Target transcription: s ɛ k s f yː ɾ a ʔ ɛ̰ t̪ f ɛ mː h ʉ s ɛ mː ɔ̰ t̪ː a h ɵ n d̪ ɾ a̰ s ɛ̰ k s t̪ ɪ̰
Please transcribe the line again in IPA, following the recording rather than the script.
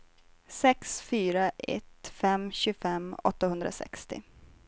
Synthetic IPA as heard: s ɛ k s f yː ɾ a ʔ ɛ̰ t̪ f ɛ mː ɕ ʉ f ɛ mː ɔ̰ t̪ː a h ɵ n d̪ ɾ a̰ s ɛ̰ k s t̪ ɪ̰